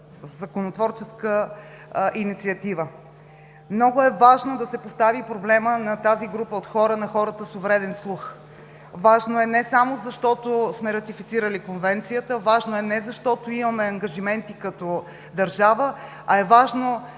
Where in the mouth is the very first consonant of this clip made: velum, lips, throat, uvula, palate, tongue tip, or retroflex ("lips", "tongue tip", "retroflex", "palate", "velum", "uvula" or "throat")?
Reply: tongue tip